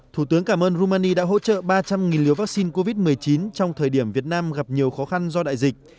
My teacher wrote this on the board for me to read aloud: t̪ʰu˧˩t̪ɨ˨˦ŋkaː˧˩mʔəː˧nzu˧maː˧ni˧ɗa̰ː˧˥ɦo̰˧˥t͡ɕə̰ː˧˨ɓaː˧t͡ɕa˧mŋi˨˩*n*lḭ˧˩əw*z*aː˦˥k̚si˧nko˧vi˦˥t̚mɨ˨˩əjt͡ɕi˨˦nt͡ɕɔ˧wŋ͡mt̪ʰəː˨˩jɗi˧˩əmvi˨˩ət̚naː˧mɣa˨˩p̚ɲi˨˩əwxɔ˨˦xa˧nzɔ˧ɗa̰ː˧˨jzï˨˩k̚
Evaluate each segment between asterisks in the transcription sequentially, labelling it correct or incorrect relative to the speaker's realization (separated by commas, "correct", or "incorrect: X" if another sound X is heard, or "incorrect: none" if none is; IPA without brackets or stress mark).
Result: correct, incorrect: v